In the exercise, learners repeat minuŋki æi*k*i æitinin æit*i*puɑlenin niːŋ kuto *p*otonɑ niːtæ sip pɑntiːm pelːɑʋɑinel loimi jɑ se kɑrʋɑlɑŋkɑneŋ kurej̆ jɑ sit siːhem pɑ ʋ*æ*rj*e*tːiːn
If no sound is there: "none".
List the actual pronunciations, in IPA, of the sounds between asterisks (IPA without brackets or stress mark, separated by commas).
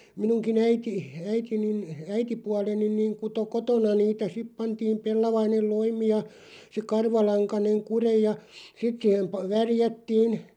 t, i, k, æ, æ